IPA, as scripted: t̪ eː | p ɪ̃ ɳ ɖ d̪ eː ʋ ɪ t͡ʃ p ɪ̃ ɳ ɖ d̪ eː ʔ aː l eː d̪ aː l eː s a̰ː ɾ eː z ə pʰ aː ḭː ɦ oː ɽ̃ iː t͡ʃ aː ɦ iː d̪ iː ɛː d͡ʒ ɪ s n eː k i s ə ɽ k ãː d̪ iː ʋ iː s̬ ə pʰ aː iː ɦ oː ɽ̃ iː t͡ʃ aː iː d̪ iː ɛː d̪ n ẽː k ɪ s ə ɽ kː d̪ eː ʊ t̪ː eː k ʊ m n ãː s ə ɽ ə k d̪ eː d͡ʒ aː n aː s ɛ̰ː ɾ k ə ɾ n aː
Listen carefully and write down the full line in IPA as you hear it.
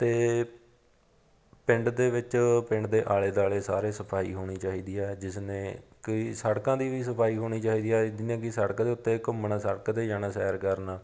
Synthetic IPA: t̪ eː | p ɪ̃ ɳ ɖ d̪ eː ʋ ɪ t͡ʃ p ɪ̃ ɳ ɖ d̪ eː ʔ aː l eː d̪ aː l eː s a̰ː ɾ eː s ə pʰ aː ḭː ɦ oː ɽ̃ iː t͡ʃ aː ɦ iː d̪ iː ɛː d͡ʒ ɪ s n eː k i s ə ɽ k ãː d̪ iː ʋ iː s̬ ə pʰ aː iː ɦ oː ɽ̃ iː t͡ʃ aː iː d̪ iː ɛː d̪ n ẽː k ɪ s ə ɽ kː d̪ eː ʊ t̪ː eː k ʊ m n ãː s ə ɽ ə k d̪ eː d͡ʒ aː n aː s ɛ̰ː ɾ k ə ɾ n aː